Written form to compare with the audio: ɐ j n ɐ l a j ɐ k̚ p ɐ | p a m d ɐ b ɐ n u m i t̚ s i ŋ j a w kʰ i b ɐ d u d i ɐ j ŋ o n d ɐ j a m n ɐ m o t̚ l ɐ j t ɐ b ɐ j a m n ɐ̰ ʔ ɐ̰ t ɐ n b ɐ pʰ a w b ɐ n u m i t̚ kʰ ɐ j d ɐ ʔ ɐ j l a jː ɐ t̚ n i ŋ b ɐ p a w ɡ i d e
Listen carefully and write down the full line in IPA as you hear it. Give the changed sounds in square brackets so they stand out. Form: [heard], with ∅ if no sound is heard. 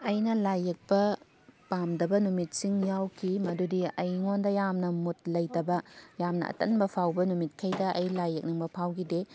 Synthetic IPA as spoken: ɐ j n ɐ l a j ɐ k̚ p ɐ | p a m d ɐ b ɐ n u m i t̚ s i ŋ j a w kʰ i [m] ɐ d u d i ɐ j ŋ o n d ɐ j a m n ɐ m [u] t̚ l ɐ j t ɐ b ɐ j a m n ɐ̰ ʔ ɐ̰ t ɐ n b ɐ pʰ a w b ɐ n u m i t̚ kʰ ɐ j d ɐ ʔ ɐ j l a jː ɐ [k̚] n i ŋ b ɐ [pʰ] a w ɡ i d e